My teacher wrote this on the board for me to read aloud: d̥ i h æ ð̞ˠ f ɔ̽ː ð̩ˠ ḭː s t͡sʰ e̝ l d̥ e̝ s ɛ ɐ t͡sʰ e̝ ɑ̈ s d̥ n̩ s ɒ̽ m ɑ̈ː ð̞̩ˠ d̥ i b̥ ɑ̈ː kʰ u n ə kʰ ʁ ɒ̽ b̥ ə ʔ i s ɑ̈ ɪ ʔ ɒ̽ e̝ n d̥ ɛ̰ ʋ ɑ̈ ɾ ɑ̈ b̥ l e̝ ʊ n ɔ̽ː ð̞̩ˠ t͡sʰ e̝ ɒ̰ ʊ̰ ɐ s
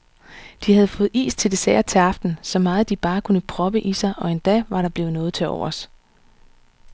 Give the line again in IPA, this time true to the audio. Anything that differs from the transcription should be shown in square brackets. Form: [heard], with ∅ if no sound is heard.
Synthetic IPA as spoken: d̥ i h æ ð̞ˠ f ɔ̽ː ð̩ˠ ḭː s t͡sʰ e̝ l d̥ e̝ s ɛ ɐ t͡sʰ e̝ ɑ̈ [f] d̥ n̩ s ɒ̽ m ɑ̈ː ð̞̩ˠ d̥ i b̥ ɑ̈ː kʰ u n ə [pʰ] ʁ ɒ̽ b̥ ə ʔ i s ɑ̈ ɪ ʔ ɒ̽ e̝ n d̥ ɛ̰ ʋ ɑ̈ ɾ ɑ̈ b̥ l e̝ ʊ n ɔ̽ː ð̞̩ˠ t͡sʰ e̝ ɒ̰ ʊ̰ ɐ s